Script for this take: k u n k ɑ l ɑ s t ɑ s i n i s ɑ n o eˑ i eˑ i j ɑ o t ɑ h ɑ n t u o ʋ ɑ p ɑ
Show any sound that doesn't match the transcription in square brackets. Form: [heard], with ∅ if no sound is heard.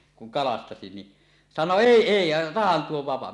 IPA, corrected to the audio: k u [ŋ] k ɑ l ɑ s t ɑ s i n i s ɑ n o eˑ i eˑ i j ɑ o t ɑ h ɑ n t u o ʋ ɑ p ɑ